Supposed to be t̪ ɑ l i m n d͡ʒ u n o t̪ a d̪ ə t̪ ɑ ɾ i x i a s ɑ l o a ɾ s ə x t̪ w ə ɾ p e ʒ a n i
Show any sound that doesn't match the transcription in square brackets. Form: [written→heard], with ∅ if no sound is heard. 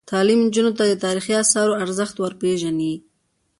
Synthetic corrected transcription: t̪ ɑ l i m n d͡ʒ u n o t̪ a d̪ ə t̪ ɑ ɾ i x i a s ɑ [l→ɾ] o a ɾ [s→z] ə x t̪ w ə ɾ p e ʒ a n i